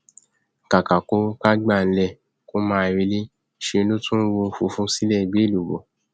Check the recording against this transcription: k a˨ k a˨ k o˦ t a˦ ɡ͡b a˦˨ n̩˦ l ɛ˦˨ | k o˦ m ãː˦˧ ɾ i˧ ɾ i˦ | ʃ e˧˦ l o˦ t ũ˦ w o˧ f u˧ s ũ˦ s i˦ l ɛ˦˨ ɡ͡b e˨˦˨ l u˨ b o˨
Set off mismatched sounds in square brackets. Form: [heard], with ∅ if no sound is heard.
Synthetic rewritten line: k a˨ k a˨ k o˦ [k] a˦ ɡ͡b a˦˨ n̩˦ l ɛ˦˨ | k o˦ m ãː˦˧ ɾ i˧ [l] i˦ | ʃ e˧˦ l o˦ t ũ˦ w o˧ f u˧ [f] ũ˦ s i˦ l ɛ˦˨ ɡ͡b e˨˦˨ l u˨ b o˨

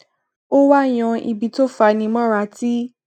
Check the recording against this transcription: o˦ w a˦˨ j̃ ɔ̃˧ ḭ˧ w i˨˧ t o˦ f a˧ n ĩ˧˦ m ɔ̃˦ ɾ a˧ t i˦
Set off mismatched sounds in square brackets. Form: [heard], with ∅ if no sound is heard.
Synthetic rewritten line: o˦ w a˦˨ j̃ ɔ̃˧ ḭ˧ [b] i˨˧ t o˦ f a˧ n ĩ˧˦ m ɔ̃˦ ɾ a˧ t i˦

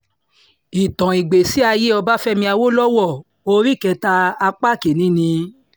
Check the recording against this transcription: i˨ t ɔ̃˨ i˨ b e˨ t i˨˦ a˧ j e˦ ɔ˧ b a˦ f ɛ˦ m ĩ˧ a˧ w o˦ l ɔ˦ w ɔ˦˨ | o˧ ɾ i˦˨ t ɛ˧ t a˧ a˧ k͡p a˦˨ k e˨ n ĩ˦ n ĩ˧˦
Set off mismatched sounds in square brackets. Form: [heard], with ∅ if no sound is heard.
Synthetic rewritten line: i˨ t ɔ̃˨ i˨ [ɡ͡b] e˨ [s] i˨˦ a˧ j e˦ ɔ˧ b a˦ f ɛ˦ m ĩ˧ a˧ w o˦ l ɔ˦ w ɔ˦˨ | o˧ ɾ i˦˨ [k] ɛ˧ t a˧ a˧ k͡p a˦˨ k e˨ n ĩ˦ n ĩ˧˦

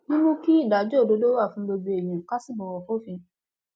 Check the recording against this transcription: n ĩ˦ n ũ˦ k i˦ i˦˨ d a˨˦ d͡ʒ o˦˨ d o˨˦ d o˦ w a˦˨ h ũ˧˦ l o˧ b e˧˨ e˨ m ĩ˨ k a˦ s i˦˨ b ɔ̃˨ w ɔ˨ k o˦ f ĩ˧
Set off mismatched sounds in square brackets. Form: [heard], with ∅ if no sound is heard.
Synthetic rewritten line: n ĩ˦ n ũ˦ k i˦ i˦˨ d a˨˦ d͡ʒ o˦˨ d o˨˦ d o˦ w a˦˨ [f] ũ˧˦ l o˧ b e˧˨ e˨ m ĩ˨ k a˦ s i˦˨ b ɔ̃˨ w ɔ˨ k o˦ f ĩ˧

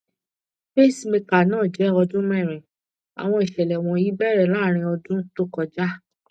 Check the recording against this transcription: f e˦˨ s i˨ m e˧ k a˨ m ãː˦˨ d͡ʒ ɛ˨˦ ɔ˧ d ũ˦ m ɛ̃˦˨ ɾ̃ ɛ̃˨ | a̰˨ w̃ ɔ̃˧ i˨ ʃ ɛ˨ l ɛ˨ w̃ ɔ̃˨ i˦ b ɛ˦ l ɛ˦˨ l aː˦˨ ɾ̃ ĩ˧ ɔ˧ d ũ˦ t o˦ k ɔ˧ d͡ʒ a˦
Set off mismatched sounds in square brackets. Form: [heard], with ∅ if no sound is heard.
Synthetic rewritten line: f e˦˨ s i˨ m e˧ k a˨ [n] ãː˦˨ d͡ʒ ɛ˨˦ ɔ˧ d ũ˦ m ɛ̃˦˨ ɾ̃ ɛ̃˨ | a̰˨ w̃ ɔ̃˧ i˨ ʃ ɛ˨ l ɛ˨ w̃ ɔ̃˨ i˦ b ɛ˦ [ɾ] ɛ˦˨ l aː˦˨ ɾ̃ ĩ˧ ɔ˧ d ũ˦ t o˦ k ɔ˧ d͡ʒ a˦

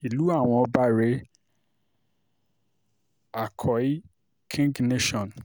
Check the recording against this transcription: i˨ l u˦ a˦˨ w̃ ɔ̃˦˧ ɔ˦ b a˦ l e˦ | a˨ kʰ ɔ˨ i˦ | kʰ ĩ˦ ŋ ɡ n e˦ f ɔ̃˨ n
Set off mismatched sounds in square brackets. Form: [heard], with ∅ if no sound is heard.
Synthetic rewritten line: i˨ l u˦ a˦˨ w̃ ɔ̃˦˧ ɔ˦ b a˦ [ɾ] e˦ | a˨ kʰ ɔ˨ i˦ | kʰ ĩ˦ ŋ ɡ n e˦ [ʃ] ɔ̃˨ n

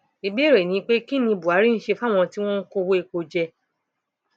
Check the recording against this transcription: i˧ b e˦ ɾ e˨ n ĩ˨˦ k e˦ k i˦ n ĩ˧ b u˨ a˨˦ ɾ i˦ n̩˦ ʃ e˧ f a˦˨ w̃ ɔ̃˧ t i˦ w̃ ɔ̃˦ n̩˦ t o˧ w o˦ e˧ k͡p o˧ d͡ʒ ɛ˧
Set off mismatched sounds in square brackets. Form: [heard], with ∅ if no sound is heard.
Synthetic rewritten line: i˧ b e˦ ɾ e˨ n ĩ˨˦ [k͡p] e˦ k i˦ n ĩ˧ b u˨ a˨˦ ɾ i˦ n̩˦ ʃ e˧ f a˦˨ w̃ ɔ̃˧ t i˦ w̃ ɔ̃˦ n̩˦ [k] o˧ w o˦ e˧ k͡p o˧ d͡ʒ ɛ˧

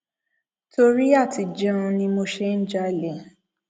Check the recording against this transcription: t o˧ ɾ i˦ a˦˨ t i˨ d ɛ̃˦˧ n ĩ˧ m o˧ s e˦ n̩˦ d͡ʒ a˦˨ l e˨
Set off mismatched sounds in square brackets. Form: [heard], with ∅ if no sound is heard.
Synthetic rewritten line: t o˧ ɾ i˦ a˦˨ t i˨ [d͡ʒ] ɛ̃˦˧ n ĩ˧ m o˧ [ʃ] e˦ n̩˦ d͡ʒ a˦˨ l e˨

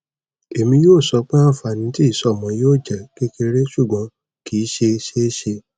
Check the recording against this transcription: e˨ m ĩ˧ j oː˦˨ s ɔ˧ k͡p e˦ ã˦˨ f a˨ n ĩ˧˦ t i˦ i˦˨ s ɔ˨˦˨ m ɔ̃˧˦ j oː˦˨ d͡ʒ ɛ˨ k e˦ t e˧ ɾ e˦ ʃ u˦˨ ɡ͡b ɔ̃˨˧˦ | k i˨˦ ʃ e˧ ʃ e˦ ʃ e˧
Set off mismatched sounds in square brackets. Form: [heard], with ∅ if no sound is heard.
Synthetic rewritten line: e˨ m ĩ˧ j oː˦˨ s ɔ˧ k͡p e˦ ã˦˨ f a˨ n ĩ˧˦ t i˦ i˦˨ s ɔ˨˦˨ m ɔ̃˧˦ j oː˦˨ d͡ʒ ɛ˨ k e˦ [k] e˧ ɾ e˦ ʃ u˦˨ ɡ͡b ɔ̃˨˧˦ | k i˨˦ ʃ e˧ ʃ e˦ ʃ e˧

